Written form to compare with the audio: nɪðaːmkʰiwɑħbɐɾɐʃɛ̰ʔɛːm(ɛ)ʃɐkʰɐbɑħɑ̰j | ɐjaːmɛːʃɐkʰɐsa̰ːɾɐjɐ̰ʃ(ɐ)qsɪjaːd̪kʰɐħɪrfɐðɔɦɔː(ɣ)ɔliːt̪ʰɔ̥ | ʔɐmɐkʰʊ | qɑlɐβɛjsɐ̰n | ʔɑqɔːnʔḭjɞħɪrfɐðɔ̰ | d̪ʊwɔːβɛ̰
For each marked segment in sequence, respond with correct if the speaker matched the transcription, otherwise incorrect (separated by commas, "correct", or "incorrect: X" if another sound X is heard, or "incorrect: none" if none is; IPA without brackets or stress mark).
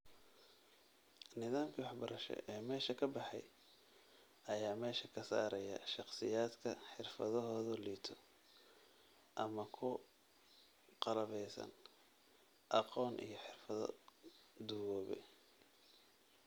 incorrect: ɛː, incorrect: ɑ, incorrect: ð